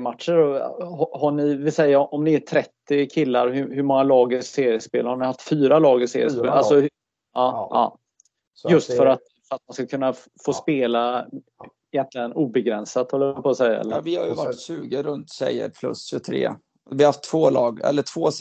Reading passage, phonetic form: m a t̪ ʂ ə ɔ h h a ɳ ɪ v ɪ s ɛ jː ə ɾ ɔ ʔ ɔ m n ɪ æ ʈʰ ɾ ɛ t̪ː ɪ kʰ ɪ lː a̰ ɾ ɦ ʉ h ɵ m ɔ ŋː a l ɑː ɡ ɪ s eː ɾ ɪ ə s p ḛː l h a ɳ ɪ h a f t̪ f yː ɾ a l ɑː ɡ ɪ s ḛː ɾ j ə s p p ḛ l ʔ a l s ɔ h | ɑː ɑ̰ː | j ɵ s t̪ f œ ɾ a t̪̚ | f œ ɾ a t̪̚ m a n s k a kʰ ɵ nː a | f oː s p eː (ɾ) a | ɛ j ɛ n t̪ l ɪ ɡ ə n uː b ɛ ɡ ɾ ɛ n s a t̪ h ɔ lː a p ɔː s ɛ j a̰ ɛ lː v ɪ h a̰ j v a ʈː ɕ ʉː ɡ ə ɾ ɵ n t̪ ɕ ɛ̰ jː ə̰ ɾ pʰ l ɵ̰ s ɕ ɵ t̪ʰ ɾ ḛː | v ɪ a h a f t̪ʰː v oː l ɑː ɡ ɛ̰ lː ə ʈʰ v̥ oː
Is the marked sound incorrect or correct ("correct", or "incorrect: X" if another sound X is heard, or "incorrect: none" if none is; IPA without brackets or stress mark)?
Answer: incorrect: l